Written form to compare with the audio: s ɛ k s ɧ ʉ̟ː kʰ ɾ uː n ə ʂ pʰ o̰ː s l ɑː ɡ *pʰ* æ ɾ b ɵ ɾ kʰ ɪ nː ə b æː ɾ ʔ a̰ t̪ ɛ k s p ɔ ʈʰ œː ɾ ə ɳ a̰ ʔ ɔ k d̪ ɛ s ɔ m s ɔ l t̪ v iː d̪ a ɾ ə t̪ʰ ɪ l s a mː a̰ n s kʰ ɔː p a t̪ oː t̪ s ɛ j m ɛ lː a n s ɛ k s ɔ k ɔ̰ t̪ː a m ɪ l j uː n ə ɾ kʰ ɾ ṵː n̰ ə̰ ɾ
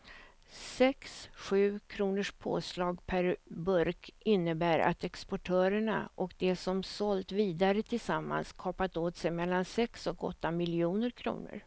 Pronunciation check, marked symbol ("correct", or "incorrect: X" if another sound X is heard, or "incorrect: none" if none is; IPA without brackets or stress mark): correct